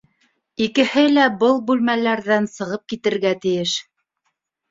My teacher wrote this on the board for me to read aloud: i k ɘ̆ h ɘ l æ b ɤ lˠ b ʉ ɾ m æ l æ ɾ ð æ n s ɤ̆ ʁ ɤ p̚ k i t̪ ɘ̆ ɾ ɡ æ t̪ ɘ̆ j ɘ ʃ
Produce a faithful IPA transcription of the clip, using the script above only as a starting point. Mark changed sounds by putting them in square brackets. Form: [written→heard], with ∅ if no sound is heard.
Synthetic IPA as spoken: i k ɘ̆ h ɘ l æ b ɤ lˠ b ʉ [ɾ→l] m æ l æ ɾ ð æ n s ɤ̆ ʁ ɤ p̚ k i t̪ ɘ̆ ɾ ɡ æ t̪ ɘ̆ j ɘ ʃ